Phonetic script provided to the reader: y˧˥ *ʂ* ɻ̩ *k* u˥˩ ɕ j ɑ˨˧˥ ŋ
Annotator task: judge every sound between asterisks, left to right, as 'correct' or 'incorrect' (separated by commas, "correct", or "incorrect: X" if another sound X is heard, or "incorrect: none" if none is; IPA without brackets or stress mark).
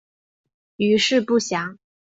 correct, incorrect: p